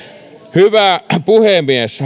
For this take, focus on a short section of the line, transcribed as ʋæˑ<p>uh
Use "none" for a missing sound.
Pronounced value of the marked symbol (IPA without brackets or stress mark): p